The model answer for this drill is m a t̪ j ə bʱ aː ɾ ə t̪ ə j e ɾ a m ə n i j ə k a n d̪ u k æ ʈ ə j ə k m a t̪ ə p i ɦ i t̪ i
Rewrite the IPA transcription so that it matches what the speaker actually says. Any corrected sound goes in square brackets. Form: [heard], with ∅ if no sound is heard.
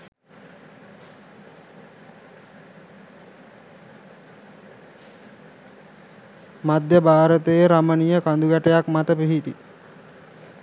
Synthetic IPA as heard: m a [d̪] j ə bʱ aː ɾ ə t̪ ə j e ɾ a m ə n i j ə k a n d̪ u [ɡ] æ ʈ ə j [a] k m a t̪ ə p i ɦ i t̪ i